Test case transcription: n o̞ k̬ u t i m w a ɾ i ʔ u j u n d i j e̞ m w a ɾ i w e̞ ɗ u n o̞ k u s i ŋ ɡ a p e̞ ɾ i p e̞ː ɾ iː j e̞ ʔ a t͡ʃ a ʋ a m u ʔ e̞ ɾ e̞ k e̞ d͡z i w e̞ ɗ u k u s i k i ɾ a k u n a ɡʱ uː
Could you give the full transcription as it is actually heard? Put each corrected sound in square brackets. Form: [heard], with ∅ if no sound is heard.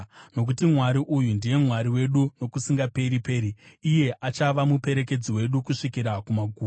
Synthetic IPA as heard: n o̞ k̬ u t i m w a ɾ i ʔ u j u n d i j e̞ m w a ɾ i w e̞ ɗ u n o̞ k u s i ŋ ɡ a p e̞ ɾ i p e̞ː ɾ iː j e̞ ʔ a t͡ʃ a ʋ a m u [p] e̞ ɾ e̞ k e̞ d͡z i w e̞ ɗ u k u [ʂ] i k i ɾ a k u [m] a ɡʱ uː